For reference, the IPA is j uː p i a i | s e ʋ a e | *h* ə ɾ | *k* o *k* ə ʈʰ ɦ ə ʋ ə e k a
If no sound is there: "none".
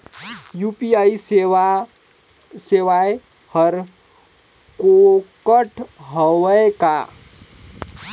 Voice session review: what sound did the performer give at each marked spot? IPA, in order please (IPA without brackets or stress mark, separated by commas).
h, k, k